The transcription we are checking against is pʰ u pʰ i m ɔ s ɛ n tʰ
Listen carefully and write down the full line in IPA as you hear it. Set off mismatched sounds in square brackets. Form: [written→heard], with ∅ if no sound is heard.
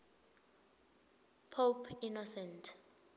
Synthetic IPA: pʰ [u→o] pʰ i [m→n] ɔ s ɛ n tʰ